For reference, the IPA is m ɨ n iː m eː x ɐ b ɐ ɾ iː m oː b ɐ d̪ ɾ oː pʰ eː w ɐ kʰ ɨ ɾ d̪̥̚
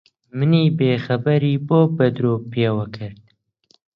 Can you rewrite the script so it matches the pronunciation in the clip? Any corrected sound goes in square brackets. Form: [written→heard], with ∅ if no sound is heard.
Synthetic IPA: m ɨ n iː [m→b] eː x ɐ b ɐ ɾ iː [m→b] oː b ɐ d̪ ɾ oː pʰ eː w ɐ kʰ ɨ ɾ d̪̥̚